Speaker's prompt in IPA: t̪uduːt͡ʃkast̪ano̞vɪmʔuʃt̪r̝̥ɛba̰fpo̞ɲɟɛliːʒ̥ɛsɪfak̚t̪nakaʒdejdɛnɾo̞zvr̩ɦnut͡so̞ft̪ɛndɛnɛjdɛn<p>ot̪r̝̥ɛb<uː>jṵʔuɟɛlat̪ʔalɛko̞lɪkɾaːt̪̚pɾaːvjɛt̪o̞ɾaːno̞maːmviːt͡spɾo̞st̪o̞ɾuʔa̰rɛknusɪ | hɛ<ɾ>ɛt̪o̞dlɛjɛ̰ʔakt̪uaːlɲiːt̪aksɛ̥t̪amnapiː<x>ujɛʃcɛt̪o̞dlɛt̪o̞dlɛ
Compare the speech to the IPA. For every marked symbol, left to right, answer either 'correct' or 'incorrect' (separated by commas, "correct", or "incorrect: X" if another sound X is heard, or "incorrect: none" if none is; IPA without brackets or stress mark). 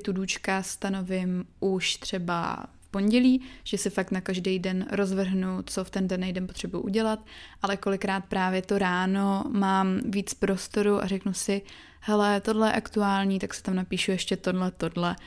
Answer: correct, incorrect: u, incorrect: l, incorrect: ʃ